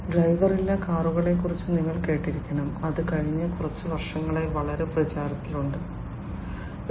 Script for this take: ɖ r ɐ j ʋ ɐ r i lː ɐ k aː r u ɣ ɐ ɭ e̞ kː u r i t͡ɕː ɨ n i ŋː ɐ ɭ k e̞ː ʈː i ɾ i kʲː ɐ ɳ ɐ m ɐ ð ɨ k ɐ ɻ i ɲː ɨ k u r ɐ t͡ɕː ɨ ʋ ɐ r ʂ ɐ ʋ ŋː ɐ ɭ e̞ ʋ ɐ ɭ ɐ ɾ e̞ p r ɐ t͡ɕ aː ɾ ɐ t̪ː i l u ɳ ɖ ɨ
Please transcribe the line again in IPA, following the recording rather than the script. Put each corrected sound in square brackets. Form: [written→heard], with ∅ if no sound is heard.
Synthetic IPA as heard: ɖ r ɐ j ʋ ɐ r i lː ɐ k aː r u ɣ ɐ ɭ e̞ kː u r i t͡ɕː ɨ n i ŋː ɐ ɭ k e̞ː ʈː i ɾ i kʲː ɐ ɳ ɐ m ɐ ð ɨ k ɐ ɻ i ɲː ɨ k u r ɐ t͡ɕː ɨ ʋ ɐ r ʂ ɐ [ʋ→∅] ŋː ɐ ɭ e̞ ʋ ɐ ɭ ɐ ɾ e̞ p r ɐ t͡ɕ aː ɾ ɐ t̪ː i l u ɳ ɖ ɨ